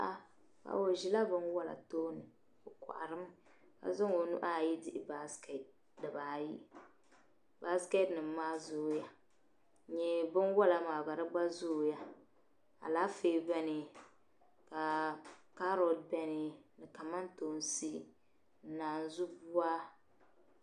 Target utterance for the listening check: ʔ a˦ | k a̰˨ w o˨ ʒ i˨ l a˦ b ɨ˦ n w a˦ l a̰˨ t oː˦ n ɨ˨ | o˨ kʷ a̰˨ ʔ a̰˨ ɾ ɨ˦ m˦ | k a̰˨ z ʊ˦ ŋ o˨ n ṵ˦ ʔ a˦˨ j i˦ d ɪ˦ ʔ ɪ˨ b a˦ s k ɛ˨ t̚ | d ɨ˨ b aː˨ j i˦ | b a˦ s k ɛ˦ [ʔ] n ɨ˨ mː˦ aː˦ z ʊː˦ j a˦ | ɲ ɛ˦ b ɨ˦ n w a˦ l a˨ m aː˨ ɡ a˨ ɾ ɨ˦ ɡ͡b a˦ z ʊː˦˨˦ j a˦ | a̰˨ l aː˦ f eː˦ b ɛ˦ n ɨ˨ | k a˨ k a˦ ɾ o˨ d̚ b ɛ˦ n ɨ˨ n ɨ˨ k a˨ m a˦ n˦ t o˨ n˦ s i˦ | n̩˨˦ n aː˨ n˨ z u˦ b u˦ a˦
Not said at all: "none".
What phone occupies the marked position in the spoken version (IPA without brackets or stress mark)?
t